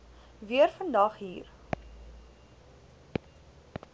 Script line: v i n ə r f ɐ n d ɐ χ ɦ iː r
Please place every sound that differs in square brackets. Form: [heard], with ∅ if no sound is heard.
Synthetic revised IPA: v i [∅] ə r f [ə] n d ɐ χ ɦ iː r